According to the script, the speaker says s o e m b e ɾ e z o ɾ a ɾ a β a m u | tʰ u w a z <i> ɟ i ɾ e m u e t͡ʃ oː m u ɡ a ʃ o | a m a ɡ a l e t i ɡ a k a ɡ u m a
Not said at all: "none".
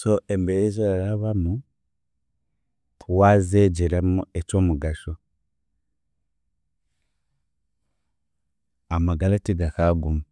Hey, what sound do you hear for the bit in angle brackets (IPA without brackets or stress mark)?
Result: e